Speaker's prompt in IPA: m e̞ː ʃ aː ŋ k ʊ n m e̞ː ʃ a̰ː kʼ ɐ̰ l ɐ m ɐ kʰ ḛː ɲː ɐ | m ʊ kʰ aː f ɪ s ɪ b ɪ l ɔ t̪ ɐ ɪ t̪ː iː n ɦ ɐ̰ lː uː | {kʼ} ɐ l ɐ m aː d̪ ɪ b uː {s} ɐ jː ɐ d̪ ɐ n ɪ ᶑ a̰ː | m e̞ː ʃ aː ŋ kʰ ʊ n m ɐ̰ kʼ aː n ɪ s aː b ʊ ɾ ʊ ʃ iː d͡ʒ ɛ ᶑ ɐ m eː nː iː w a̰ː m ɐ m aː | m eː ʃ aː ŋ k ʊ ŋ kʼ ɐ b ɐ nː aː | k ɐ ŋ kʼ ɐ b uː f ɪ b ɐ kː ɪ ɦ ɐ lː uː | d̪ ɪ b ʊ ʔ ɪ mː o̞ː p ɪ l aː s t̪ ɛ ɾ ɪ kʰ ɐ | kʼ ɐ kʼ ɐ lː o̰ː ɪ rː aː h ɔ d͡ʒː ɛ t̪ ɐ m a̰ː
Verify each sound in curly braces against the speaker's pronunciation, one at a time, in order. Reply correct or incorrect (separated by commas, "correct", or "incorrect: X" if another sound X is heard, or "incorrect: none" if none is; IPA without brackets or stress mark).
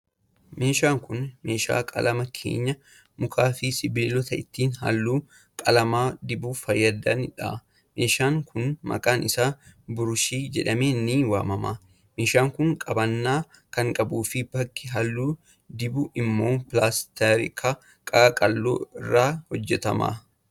correct, incorrect: f